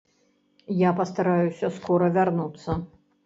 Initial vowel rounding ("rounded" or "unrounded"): unrounded